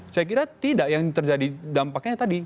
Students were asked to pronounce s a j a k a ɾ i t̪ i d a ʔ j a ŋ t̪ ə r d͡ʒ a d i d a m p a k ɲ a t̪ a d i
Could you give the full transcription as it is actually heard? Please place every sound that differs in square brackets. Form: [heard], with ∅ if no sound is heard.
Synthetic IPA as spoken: s a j a k [i] ɾ [a] t̪ i d a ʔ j a ŋ t̪ ə r d͡ʒ a d i d a m p a k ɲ a t̪ a d i